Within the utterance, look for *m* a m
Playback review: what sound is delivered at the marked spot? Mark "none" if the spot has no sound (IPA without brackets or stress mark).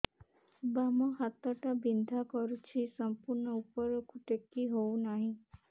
b